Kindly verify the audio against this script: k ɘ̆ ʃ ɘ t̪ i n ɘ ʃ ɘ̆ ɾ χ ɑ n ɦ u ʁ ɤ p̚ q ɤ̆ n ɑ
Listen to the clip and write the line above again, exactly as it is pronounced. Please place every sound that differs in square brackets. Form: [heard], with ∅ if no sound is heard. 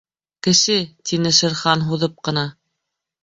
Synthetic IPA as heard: k ɘ̆ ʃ ɘ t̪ i n ɘ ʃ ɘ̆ ɾ χ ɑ n ɦ u [ð] ɤ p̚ q ɤ̆ n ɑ

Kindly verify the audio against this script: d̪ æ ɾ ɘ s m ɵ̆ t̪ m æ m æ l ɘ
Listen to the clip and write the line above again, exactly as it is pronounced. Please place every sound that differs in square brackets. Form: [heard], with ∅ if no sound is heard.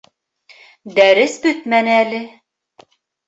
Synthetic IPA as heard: d̪ æ ɾ ɘ s [b] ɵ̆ t̪ m æ [n] æ l ɘ

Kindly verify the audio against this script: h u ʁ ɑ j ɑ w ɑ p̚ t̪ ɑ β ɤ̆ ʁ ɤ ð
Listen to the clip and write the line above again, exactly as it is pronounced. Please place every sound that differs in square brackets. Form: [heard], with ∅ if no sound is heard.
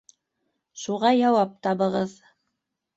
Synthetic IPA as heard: [ʃ] u ʁ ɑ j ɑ w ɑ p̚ t̪ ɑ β ɤ̆ ʁ ɤ ð

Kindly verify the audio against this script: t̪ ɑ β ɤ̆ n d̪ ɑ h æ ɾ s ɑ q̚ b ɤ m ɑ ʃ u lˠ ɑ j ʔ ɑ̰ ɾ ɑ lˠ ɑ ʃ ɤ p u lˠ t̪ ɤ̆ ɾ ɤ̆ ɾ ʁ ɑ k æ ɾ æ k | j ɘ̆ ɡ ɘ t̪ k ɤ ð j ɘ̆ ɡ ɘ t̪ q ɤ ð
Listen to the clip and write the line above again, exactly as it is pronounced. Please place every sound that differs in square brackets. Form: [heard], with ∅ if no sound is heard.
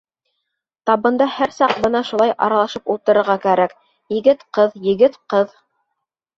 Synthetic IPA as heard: t̪ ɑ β ɤ̆ n d̪ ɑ h æ ɾ s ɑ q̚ b ɤ [n] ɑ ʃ u lˠ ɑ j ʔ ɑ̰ ɾ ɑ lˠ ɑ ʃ ɤ p u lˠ t̪ ɤ̆ ɾ ɤ̆ ɾ ʁ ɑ k æ ɾ æ k | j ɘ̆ ɡ ɘ t̪ [q] ɤ ð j ɘ̆ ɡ ɘ t̪ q ɤ ð

